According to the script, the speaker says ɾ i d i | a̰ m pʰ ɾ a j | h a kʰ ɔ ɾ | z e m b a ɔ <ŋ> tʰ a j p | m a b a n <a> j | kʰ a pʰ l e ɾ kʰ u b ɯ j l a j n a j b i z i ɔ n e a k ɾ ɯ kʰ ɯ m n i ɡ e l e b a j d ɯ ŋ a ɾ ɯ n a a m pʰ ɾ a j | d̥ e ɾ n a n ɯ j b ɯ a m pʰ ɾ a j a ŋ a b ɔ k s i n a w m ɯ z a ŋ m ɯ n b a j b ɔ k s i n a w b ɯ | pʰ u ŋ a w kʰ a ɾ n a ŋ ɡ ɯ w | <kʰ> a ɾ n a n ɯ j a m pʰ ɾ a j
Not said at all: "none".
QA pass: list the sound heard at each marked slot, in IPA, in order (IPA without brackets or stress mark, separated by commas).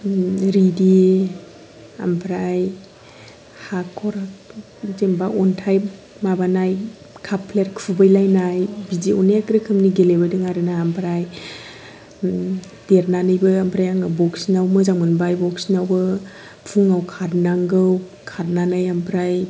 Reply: n, a, kʰ